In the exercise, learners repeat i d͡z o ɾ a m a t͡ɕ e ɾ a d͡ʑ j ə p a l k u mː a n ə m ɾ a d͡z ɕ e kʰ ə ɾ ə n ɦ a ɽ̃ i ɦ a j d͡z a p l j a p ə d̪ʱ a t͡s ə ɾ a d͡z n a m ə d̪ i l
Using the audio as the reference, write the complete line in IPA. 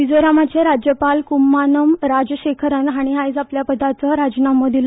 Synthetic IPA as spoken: i d͡z o ɾ a m a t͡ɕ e ɾ a d͡ʑ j ə p a l k u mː a n ə m ɾ a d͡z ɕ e kʰ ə ɾ ə n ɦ a ɽ̃ i ɦ a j d͡z a p l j a p ə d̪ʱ a t͡s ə ɾ a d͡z n a m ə d̪ i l